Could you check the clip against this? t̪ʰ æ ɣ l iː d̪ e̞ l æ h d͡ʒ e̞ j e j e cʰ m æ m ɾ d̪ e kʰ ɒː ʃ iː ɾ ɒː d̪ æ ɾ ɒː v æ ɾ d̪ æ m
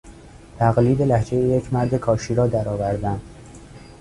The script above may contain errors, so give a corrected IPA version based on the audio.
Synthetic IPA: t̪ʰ æ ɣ l iː d̪ e̞ l æ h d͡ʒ e̞ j e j e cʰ m æ ɾ d̪ e kʰ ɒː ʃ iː ɾ ɒː d̪ æ ɾ ɒː v æ ɾ d̪ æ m